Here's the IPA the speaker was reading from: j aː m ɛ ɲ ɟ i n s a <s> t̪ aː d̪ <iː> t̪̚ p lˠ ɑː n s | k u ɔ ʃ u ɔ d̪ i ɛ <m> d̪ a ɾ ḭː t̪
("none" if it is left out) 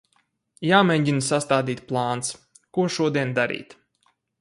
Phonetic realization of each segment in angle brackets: s, iː, n

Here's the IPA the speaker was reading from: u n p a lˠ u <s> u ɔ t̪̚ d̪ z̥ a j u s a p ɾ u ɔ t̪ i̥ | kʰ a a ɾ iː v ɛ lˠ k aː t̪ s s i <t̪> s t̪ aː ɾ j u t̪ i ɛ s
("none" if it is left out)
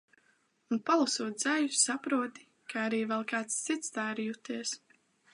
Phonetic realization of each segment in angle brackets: s, t̪

